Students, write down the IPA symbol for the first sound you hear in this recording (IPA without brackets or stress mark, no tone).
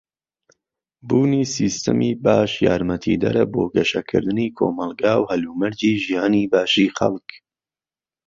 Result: b